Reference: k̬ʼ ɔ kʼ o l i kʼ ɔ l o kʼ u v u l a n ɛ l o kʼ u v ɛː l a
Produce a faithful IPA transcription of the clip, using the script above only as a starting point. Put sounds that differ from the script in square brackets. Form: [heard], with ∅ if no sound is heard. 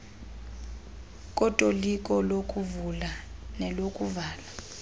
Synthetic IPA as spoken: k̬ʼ ɔ [tʼ] o l i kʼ ɔ l o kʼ u v u l a n ɛ l o kʼ u v [aː] l a